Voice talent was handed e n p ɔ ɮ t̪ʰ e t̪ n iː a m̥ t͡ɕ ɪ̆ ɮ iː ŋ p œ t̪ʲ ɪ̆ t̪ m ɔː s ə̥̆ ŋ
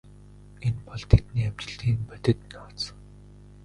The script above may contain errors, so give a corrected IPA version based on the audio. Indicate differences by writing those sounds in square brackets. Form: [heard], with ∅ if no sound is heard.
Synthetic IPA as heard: e n p ɔ ɮ t̪ʰ e t̪ n iː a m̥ t͡ɕ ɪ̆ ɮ iː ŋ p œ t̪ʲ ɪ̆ t̪ [n] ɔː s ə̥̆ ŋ